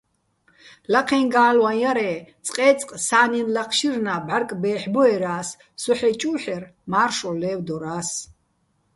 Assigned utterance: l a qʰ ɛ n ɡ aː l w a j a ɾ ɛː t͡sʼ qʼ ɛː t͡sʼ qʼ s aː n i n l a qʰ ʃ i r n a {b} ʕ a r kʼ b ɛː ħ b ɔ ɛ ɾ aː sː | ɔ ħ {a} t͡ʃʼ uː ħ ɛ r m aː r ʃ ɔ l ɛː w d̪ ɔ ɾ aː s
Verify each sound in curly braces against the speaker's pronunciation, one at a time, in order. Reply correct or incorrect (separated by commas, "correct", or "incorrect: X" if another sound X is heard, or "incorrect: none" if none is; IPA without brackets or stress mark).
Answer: correct, incorrect: ɛ